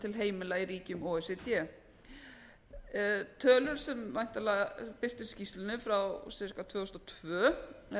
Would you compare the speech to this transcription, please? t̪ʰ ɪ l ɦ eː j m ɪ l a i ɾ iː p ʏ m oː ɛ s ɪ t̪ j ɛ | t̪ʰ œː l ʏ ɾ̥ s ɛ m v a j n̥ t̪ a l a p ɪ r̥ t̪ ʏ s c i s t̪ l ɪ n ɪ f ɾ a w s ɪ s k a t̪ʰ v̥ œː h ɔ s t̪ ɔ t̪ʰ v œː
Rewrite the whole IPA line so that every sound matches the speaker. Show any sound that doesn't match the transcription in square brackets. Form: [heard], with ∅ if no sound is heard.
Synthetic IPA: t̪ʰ ɪ l ɦ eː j m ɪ l a i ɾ iː [c] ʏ m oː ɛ s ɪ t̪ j ɛ | t̪ʰ œː l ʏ ɾ̥ s ɛ m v a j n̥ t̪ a l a p ɪ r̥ t̪ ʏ s c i s t̪ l ɪ n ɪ f ɾ a w s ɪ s k a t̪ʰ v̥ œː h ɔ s t̪ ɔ t̪ʰ v œː